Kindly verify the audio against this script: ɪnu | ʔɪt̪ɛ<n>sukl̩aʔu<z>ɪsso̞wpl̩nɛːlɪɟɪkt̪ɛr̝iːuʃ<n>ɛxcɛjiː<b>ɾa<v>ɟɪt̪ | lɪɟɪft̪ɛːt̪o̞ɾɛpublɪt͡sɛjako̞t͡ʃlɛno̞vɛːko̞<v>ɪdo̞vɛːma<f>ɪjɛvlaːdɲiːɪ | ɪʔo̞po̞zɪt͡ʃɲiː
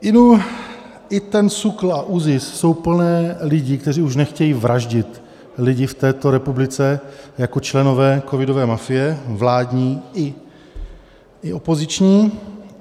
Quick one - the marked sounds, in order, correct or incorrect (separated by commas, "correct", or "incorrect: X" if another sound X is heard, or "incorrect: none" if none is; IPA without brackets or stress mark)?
correct, correct, correct, incorrect: v, incorrect: ʒ, correct, correct